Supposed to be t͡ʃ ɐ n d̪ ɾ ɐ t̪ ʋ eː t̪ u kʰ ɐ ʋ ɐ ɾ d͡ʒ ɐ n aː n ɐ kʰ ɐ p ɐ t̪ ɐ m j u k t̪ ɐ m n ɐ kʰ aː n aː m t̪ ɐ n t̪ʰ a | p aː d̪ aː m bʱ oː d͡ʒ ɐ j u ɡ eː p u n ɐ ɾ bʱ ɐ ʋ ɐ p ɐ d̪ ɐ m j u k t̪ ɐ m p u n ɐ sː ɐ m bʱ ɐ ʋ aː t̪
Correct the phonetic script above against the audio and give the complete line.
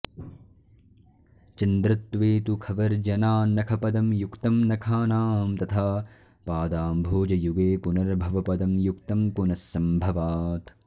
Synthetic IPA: t͡ʃ ɐ n d̪ ɾ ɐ t̪ ʋ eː t̪ u kʰ ɐ ʋ ɐ ɾ d͡ʒ ɐ n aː n ɐ kʰ ɐ p ɐ d̪ ɐ m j u k t̪ ɐ m n ɐ kʰ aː n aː m t̪ ɐ t̪ʰ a | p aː d̪ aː m bʱ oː d͡ʒ ɐ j u ɡ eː p u n ɐ ɾ bʱ ɐ ʋ ɐ p ɐ d̪ ɐ m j u k t̪ ɐ m p u n ɐ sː ɐ m bʱ ɐ ʋ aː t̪

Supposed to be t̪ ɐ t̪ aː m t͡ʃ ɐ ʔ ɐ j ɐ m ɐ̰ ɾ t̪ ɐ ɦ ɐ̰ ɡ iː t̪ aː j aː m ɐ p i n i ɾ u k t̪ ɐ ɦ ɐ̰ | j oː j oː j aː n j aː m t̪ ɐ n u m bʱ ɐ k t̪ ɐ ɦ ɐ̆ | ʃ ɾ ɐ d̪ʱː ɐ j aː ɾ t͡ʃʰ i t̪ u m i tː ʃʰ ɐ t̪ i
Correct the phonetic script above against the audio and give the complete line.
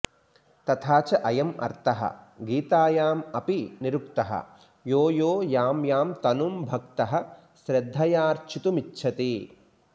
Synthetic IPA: t̪ ɐ t̪ʰ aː t͡ʃ ɐ ʔ ɐ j ɐ m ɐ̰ ɾ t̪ ɐ ɦ ɐ̰ ɡ iː t̪ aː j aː m ɐ p i n i ɾ u k t̪ ɐ ɦ ɐ̰ | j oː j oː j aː m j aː m t̪ ɐ n u m bʱ ɐ k t̪ ɐ ɦ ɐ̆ | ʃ ɾ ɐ d̪ʱː ɐ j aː ɾ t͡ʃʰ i t̪ u m i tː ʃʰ ɐ t̪ i

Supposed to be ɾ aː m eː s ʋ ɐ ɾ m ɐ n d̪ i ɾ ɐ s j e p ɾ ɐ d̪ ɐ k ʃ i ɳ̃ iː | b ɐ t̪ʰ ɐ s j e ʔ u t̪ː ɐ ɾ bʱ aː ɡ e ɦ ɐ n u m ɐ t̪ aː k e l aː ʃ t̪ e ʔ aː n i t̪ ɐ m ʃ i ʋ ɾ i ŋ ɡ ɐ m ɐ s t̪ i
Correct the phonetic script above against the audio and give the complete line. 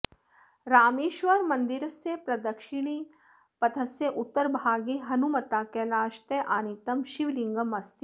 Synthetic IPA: ɾ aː m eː ʃ ʋ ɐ ɾ m ɐ n d̪ i ɾ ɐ s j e p ɾ ɐ d̪ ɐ k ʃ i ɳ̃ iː | p ɐ t̪ʰ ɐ s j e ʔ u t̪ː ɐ ɾ bʱ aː ɡ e ɦ ɐ n u m ɐ t̪ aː k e l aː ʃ t̪ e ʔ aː n i t̪ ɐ m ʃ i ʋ l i ŋ ɡ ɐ m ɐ s t̪ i

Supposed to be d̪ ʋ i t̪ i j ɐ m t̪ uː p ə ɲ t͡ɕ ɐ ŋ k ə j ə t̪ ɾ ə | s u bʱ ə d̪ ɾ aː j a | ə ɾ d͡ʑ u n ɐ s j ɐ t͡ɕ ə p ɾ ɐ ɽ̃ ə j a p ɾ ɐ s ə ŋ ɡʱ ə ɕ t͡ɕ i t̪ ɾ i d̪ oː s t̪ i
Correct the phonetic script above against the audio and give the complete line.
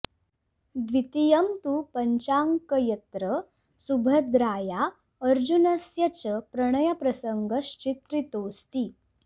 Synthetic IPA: d̪ ʋ i t̪ i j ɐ m t̪ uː p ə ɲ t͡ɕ a ŋ k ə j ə t̪ ɾ ə | s u bʱ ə d̪ ɾ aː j a | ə ɾ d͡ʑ u n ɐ s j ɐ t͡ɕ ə p ɾ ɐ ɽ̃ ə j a p ɾ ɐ s ə ŋ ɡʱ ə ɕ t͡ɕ i t̪ ɾ i t̪ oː s t̪ i

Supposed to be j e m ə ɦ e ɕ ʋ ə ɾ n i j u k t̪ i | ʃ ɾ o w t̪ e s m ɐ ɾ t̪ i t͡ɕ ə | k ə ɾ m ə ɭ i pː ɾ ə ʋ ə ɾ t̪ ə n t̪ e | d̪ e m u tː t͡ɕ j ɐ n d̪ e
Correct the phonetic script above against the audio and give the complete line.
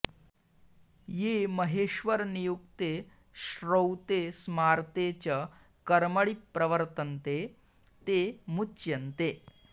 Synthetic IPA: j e m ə ɦ e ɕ ʋ ə ɾ n i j u k t̪ e | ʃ ɾ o w t̪ e s m a ɾ t̪ e t͡ɕ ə | k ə ɾ m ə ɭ i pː ɾ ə ʋ ə ɾ t̪ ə n t̪ e | t̪ e m u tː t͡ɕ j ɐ n t̪ e

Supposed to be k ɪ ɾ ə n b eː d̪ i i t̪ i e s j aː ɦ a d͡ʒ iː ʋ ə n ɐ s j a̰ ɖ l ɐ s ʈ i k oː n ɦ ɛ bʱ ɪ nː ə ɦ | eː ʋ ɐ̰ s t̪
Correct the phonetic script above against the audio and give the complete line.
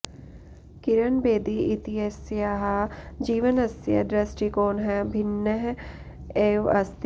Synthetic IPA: k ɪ ɾ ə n b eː d̪ i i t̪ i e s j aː ɦ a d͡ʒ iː ʋ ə n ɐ s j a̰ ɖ ɾ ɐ s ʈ i k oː n ɦ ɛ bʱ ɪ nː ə ɦ | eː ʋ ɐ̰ s t̪

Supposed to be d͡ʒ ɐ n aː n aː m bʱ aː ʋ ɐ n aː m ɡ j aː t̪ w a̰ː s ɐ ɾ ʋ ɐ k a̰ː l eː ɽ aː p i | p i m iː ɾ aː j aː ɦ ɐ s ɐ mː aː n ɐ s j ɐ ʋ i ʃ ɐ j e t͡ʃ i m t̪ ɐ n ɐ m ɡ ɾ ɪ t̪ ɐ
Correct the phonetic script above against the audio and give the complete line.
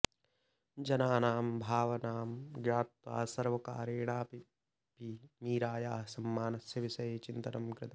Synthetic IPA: d͡ʒ ɐ n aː n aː m bʱ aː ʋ ɐ n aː m ɡ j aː t̪ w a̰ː s ɐ ɾ ʋ ɐ k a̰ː ɾ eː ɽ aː p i | p i m iː ɾ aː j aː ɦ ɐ s ɐ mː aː n ɐ s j ɐ ʋ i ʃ ɐ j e t͡ʃ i n t̪ ɐ n ɐ m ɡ ɾ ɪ t̪ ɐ

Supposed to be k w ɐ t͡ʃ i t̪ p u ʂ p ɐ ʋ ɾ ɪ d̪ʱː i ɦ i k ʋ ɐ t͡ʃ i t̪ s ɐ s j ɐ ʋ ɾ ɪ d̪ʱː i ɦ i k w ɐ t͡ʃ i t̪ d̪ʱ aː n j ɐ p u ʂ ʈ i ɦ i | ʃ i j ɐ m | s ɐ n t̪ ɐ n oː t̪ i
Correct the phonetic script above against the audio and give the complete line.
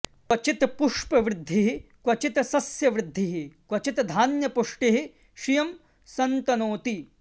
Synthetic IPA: k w ɐ t͡ʃ i t̪ p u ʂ p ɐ ʋ ɾ ɪ d̪ʱː i ɦ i k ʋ ɐ t͡ʃ i t̪ s ɐ s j ɐ ʋ ɾ ɪ d̪ʱː i ɦ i k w ɐ t͡ʃ i t̪ d̪ʱ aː n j ɐ p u ʂ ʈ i ɦ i | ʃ i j ɐ m | s ɐ n t̪ ɐ n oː t̪ i

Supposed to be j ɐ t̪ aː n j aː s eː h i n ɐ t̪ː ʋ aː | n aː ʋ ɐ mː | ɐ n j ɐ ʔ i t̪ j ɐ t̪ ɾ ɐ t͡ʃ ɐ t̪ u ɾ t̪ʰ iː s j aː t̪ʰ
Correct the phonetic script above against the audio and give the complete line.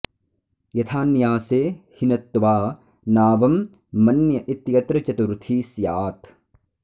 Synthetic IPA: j ɐ t̪ʰ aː n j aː s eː h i n ɐ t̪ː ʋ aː | n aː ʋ ɐ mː | ɐ n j ɐ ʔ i t̪ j ɐ t̪ ɾ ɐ t͡ʃ ɐ t̪ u ɾ t̪ʰ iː s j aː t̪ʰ

